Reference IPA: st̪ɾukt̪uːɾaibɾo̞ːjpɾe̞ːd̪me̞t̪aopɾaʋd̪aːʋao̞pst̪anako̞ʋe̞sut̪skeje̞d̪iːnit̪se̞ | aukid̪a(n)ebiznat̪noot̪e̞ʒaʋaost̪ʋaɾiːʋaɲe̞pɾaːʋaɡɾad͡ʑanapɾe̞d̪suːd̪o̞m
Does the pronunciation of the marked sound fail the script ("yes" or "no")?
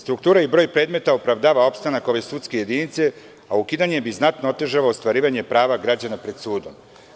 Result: yes